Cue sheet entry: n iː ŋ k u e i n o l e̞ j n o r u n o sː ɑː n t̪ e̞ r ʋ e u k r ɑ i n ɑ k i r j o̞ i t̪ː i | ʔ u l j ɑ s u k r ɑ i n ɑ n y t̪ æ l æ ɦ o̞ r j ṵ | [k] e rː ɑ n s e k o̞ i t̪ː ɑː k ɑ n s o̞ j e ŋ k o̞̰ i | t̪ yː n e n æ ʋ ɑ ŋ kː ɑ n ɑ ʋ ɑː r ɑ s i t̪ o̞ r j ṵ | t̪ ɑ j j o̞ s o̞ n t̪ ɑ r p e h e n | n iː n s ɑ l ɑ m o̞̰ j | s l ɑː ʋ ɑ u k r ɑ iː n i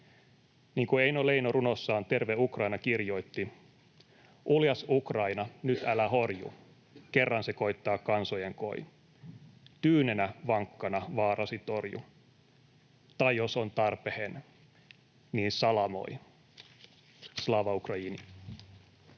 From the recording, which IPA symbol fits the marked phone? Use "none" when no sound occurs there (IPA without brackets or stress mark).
k